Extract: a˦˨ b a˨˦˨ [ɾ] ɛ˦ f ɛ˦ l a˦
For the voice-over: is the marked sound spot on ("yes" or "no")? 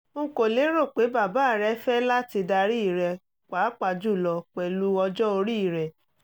yes